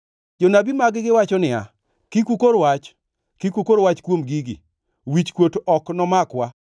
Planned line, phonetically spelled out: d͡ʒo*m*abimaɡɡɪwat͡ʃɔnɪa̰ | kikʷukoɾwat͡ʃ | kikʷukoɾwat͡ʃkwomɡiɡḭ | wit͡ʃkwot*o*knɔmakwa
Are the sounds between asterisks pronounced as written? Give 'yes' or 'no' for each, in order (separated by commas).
no, no